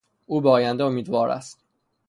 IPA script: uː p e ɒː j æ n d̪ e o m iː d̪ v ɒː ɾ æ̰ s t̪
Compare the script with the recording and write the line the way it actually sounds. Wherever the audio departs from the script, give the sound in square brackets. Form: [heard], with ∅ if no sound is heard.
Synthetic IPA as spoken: uː [b] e ɒː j æ n d̪ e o m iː d̪ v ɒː ɾ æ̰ s t̪